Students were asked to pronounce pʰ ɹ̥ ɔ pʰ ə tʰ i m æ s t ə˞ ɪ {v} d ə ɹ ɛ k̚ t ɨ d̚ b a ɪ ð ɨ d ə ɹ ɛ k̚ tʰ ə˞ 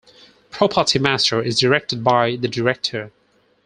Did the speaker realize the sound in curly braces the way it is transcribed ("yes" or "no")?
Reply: no